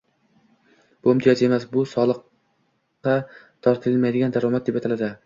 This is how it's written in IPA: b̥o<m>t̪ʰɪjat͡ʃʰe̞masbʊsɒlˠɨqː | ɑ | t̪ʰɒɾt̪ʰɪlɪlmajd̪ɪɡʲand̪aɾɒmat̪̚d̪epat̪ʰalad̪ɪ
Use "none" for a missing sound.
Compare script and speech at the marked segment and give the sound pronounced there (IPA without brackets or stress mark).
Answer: m